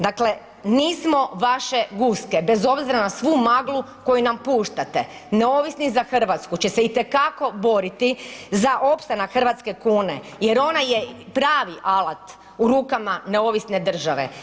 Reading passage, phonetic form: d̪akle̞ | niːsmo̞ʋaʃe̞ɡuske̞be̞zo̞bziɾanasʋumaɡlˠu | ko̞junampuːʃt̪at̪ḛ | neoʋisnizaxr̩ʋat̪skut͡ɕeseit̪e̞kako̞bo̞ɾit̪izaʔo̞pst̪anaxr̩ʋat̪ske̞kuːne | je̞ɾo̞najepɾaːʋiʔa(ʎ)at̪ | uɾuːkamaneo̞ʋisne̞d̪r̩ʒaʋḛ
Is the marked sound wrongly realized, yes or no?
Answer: yes